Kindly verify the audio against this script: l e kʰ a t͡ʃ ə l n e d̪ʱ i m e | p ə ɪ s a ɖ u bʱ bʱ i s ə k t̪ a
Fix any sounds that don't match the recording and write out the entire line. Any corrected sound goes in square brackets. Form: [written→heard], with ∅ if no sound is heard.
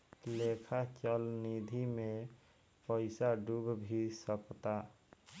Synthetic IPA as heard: l e kʰ a t͡ʃ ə l n [e→i] d̪ʱ i m e | p ə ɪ s a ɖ u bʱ bʱ i s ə k t̪ a